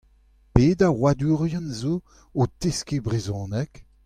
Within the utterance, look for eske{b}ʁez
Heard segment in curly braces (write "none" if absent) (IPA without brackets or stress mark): b